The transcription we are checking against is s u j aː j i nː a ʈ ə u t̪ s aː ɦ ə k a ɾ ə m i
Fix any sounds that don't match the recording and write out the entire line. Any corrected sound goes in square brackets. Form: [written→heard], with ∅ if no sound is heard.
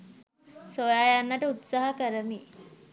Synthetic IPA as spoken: s [u→o] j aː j [i→a] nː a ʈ ə u t̪ s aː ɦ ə k [a→ə] ɾ ə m i

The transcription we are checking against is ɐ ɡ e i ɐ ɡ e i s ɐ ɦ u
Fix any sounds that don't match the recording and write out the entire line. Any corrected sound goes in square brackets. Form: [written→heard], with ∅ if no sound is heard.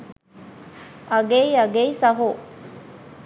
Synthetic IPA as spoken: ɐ ɡ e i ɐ ɡ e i s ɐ ɦ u

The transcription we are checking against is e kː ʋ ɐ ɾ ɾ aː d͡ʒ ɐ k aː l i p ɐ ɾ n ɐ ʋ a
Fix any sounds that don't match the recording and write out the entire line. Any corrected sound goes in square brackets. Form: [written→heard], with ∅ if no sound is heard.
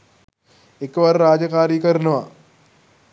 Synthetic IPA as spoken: e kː ʋ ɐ ɾ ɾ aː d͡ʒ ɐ k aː [l→ɾ] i [p→k] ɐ ɾ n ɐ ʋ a

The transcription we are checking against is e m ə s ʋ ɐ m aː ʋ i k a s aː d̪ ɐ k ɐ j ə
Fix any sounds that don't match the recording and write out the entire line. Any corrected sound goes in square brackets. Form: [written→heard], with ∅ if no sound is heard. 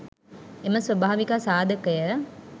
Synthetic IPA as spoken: e m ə s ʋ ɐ [m→b] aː ʋ i k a s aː d̪ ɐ k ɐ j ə

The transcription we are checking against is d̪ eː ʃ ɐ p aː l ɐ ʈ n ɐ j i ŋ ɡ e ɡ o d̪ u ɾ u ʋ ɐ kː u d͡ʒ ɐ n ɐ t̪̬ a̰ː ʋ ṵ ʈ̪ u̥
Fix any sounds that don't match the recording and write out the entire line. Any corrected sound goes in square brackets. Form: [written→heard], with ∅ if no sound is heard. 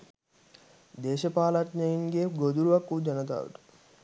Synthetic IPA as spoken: d̪ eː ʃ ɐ p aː l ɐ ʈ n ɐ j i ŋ ɡ e ɡ o d̪ u ɾ u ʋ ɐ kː u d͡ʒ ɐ n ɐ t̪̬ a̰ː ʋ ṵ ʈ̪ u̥

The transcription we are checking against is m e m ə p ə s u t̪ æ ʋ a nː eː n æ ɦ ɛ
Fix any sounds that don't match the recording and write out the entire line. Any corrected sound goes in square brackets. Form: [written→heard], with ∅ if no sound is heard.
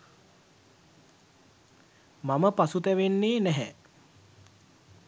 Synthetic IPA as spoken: m [e→a] m ə p [ə→a] s u t̪ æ ʋ [a→e] nː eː n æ ɦ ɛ

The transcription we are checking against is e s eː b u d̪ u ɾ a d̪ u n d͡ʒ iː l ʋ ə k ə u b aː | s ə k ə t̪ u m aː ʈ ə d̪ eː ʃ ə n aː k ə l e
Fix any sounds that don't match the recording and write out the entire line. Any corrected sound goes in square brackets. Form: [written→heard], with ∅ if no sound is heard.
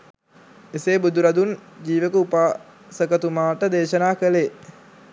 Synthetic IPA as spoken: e s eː b u d̪ u ɾ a d̪ u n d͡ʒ iː [l→∅] ʋ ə k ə u [b→p] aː | s ə k ə t̪ u m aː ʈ ə d̪ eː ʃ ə n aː k ə l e

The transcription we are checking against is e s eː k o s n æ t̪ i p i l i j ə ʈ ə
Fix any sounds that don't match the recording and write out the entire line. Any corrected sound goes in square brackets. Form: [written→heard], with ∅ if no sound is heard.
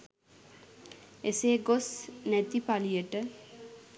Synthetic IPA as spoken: e s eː [k→ɡ] o s n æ t̪ i p [i→a] l i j ə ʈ ə

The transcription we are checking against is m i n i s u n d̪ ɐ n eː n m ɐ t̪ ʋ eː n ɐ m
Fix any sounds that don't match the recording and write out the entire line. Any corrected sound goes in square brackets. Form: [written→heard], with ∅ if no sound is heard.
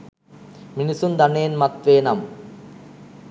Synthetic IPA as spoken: m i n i s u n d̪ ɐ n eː n m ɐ t̪ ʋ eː n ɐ m

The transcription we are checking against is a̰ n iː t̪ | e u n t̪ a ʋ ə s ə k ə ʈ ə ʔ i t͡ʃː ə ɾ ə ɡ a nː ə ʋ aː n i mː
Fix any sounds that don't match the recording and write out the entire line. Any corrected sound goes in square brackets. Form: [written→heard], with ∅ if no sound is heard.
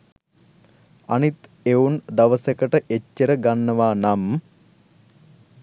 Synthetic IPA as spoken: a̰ n [iː→i] t̪ | e u n [t̪→d̪] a ʋ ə s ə k ə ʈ ə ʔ [i→e] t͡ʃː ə ɾ ə ɡ a nː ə ʋ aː n [i→a] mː

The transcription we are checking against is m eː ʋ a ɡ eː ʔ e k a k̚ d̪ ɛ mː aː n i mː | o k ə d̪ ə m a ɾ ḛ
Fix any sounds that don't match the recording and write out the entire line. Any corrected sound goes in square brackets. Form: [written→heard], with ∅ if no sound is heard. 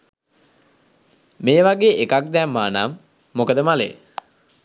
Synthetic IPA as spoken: m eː ʋ a ɡ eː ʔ e k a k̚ d̪ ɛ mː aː n [i→a] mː | o k ə d̪ ə m a [ɾ→l] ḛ

